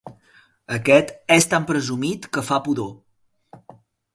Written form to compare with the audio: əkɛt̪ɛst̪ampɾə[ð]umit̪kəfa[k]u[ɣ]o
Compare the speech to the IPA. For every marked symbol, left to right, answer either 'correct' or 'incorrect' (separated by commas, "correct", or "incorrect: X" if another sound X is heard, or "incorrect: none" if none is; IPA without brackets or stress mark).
incorrect: z, incorrect: p, incorrect: ð